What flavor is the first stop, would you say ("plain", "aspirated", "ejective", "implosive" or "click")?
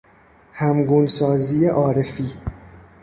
plain